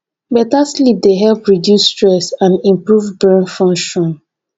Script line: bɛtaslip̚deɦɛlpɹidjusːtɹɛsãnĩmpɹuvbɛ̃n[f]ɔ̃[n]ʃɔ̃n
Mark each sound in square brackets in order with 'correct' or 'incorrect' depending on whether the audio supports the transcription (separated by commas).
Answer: correct, incorrect